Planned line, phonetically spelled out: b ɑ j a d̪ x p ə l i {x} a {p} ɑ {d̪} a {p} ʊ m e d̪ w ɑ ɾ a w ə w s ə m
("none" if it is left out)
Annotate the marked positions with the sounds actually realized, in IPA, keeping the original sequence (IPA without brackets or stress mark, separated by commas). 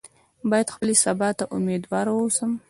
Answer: s, b, t̪, ʔ